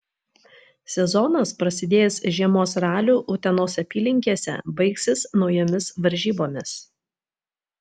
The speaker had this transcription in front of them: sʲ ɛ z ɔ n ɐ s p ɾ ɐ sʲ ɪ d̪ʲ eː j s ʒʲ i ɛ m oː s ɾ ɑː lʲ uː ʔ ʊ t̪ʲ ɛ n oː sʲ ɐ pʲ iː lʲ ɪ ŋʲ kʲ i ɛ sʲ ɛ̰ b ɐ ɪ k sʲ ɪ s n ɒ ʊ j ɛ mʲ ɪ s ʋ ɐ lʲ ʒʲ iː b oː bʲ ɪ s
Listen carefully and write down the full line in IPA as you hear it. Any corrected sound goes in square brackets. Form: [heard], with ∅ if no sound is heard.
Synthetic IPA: sʲ ɛ z ɔ n ɐ s p ɾ ɐ sʲ ɪ d̪ʲ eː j s ʒʲ i ɛ m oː s ɾ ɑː lʲ uː ʔ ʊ t̪ʲ ɛ n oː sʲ ɐ pʲ iː lʲ ɪ ŋʲ kʲ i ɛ sʲ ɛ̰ b ɐ ɪ k sʲ ɪ s n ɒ ʊ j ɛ mʲ ɪ s ʋ ɐ [ɾʲ] ʒʲ iː b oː [mʲ] ɪ s